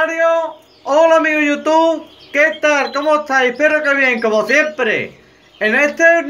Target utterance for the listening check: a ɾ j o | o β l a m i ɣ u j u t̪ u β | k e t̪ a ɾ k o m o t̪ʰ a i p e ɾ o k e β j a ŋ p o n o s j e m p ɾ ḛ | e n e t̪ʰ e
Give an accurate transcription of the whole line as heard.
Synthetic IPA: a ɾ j o | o l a m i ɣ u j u t̪ u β | k e t̪ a ɾ k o m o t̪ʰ a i p e ɾ o k e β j e ŋ k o m o s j e m p ɾ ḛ | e n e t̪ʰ e